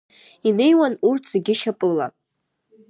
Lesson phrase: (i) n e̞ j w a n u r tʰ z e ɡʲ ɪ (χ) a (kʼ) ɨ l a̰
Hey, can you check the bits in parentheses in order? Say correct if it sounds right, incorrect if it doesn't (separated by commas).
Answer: correct, incorrect, incorrect